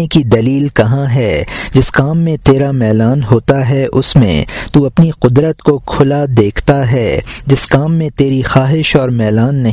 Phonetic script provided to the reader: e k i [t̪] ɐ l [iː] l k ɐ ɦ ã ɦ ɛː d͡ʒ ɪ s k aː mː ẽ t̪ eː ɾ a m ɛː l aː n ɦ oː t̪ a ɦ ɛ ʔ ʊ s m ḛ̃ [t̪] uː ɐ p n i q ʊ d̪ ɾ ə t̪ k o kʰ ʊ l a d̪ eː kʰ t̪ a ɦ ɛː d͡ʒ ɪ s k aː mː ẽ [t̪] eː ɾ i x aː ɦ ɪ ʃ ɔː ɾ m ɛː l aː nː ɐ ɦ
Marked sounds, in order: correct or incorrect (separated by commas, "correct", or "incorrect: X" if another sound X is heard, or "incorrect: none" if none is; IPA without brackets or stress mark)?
incorrect: d̪, correct, correct, correct